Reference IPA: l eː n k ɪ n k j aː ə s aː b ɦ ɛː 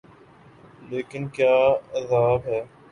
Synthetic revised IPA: l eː k ɪ n k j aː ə z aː b ɦ ɛː